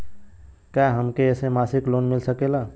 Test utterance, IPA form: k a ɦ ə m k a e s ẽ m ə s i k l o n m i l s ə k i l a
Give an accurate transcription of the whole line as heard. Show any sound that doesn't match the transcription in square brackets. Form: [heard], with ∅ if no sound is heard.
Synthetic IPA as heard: k a ɦ ə m k [e] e s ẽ m [a] s i k l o n m i l s ə k [e] l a